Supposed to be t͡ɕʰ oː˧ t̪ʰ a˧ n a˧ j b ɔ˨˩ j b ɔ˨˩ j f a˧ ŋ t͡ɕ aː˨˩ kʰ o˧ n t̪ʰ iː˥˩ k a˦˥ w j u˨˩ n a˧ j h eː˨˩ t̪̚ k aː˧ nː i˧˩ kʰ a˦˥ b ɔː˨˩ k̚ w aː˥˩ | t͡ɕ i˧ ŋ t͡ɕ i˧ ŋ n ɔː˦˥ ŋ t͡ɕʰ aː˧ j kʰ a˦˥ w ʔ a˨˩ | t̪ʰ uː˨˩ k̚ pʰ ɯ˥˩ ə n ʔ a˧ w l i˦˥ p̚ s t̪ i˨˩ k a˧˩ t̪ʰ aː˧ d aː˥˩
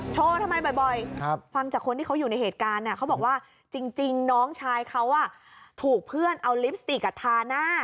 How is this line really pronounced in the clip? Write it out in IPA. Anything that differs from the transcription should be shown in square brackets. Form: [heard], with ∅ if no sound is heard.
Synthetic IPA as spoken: t͡ɕʰ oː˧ t̪ʰ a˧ [m] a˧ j b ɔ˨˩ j b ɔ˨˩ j f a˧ ŋ t͡ɕ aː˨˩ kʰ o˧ n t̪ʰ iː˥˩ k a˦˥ w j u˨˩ n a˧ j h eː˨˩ t̪̚ k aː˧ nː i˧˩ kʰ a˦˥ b ɔː˨˩ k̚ w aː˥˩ | t͡ɕ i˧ ŋ t͡ɕ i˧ ŋ n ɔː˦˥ ŋ t͡ɕʰ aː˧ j kʰ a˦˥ w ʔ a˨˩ | t̪ʰ uː˨˩ k̚ pʰ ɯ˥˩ ə n ʔ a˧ w l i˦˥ p̚ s t̪ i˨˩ k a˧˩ t̪ʰ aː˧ [n] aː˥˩